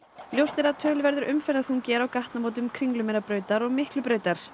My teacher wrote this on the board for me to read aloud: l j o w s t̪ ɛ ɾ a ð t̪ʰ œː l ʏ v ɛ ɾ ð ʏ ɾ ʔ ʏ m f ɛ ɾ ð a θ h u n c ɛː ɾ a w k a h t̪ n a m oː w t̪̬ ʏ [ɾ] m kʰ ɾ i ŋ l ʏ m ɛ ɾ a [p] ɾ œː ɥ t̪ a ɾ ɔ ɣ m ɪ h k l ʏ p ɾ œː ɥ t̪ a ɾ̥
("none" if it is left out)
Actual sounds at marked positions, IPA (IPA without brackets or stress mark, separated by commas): none, p